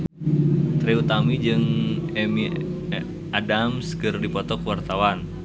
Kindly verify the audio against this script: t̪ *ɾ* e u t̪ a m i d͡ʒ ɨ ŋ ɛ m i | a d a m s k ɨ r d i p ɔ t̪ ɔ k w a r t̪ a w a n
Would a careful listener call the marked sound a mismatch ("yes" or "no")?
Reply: no